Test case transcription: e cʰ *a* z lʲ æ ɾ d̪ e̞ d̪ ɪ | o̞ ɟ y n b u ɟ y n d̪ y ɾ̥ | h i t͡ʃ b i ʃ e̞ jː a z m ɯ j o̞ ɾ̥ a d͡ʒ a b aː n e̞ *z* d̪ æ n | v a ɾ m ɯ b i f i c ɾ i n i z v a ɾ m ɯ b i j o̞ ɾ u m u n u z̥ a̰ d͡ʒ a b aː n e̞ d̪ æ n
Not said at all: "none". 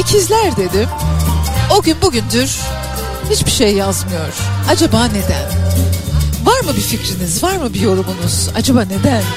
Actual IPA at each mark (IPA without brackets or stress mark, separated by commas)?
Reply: i, none